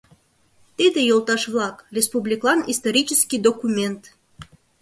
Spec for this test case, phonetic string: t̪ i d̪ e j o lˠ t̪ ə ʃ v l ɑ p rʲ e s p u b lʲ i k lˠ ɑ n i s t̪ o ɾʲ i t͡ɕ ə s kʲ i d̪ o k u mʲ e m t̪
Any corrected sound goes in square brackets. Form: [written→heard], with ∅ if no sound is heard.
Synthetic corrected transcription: t̪ i d̪ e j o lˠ t̪ [ə→ɑ] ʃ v l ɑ [p→k] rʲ e s p u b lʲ i k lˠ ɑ n i s t̪ o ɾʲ i t͡ɕ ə s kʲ i d̪ o k u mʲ e [m→n] t̪